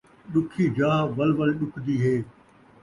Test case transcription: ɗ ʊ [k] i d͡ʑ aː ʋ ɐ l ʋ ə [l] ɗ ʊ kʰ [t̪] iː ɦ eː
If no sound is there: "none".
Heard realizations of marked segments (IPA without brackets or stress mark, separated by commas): kʰ, l, d̪